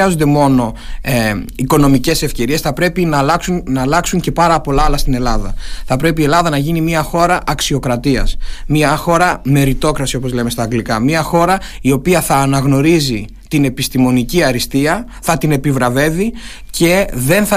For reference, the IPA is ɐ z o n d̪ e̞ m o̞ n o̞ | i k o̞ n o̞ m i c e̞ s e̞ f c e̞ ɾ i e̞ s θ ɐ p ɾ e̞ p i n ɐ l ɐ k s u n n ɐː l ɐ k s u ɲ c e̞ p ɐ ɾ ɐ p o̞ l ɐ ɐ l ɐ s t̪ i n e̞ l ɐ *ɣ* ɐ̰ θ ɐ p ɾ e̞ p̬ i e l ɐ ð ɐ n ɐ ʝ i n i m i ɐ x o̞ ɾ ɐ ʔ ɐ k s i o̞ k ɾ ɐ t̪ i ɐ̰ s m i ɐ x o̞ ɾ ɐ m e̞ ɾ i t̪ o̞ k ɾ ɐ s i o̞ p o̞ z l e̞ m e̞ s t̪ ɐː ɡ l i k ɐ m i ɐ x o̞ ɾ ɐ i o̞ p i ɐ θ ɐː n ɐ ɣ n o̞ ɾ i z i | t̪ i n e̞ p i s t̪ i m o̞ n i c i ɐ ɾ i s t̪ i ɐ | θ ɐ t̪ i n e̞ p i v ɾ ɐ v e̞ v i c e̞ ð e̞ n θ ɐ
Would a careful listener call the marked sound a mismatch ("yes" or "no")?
yes